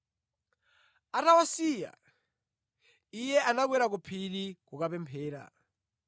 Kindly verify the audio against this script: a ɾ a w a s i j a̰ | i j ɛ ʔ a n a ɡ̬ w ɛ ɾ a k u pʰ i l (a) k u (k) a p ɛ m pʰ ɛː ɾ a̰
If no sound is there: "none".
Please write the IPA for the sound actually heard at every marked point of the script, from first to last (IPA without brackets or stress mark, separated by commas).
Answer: i, k